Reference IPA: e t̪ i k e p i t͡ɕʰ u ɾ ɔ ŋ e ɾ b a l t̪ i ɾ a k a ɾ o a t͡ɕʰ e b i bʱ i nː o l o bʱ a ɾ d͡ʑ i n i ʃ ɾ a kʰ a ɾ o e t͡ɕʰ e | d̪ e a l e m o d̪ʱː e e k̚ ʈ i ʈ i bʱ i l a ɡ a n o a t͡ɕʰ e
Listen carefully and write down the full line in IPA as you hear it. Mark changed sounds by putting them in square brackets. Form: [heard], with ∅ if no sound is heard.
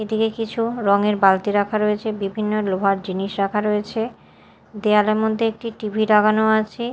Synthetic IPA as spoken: e [d̪] i k e [k] i t͡ɕʰ u ɾ ɔ ŋ e ɾ b a l t̪ i ɾ a [kʰ] a ɾ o [e] t͡ɕʰ e b i bʱ i nː o l o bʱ a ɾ d͡ʑ i n i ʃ ɾ a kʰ a ɾ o e t͡ɕʰ e | d̪ e a l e m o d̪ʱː e e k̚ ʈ i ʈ i bʱ i [ɾ] a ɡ a n o a t͡ɕʰ e